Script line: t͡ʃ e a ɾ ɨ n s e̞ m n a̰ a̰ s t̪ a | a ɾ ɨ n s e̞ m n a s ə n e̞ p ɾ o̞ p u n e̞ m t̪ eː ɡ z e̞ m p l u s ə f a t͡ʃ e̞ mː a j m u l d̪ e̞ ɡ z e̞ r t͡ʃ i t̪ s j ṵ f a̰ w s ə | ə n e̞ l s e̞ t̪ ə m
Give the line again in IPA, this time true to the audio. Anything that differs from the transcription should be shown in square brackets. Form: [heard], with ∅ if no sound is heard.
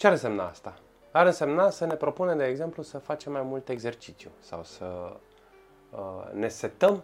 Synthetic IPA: t͡ʃ e a ɾ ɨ n s e̞ m n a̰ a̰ s t̪ a | a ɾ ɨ n s e̞ m n a s ə n e̞ p ɾ o̞ p u n e̞ m [d̪] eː ɡ z e̞ m p l u s ə f a t͡ʃ e̞ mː a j m u l [t̪] e̞ ɡ z e̞ r t͡ʃ i t̪ s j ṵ [s] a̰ w s ə | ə n e̞ [∅] s e̞ t̪ ə m